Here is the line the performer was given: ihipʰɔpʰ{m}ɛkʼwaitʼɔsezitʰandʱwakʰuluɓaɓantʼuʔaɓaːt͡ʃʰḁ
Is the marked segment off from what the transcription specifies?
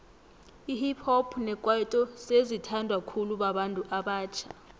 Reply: yes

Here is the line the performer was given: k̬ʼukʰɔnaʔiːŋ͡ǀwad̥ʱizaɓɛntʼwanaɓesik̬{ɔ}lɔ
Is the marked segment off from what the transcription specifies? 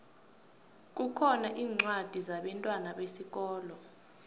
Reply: yes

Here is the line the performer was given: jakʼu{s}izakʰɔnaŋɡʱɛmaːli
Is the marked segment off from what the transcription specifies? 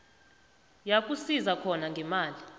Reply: no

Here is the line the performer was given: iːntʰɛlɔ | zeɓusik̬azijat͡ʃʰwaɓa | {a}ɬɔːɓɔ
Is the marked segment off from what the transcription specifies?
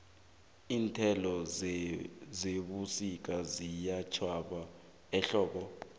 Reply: yes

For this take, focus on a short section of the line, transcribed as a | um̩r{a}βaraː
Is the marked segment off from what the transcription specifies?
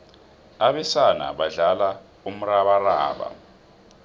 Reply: no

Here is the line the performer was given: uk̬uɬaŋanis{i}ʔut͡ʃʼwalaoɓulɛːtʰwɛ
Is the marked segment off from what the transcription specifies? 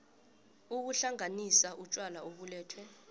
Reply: yes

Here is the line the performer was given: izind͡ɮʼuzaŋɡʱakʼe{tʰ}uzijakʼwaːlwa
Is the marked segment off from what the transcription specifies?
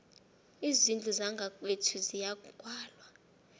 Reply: no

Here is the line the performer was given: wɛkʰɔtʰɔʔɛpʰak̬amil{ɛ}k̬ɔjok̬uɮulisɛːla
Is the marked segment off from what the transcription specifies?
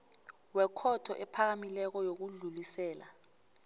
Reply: no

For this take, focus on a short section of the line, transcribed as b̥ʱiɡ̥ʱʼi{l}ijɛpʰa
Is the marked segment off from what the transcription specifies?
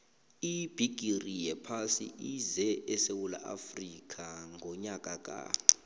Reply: yes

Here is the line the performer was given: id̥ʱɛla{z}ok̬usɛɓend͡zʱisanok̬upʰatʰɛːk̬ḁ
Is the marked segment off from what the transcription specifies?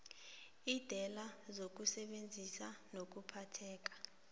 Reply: no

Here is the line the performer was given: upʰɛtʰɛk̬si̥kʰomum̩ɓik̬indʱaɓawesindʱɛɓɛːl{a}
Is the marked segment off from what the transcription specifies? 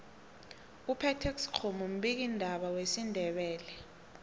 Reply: yes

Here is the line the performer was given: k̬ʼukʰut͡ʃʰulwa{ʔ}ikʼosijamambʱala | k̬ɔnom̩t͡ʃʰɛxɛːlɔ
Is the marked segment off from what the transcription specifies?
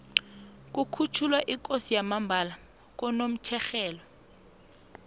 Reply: no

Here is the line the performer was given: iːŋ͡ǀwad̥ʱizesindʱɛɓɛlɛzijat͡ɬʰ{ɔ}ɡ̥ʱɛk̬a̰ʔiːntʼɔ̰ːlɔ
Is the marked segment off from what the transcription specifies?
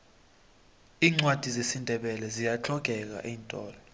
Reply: no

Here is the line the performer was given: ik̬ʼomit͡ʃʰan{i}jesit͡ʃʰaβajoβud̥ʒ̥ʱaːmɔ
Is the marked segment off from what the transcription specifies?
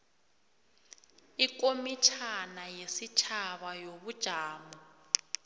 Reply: yes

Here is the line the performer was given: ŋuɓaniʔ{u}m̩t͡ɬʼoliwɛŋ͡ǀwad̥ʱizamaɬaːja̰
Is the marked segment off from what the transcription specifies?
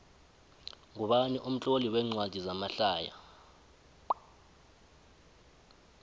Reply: no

